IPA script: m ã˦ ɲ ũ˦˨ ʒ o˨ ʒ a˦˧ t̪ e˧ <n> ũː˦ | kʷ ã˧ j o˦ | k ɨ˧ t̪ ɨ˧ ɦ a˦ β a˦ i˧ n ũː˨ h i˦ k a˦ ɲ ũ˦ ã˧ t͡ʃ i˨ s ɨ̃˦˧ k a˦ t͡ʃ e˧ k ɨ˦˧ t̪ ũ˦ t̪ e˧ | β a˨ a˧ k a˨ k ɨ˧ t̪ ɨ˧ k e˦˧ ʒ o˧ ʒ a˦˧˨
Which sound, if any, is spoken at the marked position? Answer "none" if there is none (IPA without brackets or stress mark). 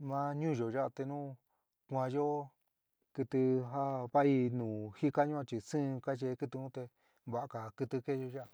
n